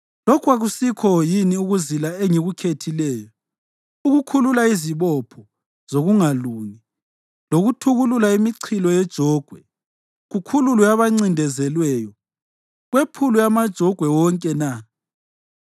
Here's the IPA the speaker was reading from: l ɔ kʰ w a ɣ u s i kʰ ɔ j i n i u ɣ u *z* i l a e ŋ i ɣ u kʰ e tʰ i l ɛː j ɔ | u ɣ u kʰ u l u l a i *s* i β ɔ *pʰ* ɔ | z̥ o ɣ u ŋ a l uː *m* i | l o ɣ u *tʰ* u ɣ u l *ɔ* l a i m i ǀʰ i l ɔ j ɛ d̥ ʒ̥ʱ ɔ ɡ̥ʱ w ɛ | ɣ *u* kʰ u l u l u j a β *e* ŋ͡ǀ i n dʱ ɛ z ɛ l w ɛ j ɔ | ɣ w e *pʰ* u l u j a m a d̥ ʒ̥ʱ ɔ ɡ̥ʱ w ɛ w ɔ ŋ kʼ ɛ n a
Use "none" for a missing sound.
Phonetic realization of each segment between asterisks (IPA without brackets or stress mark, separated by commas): z, z, pʰ, ŋ, tʰ, u, u, a, pʰ